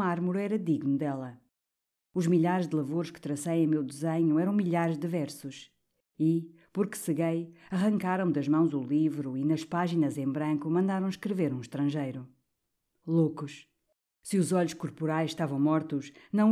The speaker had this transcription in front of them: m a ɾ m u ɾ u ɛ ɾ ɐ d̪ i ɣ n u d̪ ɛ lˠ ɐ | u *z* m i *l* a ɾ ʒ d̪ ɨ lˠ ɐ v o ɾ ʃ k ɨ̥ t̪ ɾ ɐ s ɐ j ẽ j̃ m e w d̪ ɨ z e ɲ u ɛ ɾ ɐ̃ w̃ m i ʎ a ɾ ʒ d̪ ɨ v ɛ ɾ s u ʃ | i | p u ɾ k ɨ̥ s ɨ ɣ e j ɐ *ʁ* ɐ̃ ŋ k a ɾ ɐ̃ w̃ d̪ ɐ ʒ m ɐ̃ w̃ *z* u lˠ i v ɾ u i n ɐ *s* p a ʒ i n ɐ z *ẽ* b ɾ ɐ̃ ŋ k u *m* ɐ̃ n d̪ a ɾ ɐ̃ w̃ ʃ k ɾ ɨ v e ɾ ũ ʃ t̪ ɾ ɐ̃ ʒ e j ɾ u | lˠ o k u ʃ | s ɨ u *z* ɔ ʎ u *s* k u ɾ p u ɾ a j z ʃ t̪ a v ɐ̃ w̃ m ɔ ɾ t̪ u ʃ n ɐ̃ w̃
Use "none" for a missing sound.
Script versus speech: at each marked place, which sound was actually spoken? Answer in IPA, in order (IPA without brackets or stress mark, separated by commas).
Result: ʒ, ʎ, ʁ, z, ʃ, ẽ, m, z, ʃ